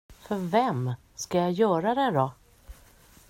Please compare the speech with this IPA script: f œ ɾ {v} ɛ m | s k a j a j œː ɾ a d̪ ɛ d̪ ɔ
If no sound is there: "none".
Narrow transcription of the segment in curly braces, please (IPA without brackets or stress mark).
v